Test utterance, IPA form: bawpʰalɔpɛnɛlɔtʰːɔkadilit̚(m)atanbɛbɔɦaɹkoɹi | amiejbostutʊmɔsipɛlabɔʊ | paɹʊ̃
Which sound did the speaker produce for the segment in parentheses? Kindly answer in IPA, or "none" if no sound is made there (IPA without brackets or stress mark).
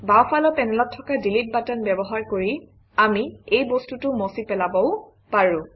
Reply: b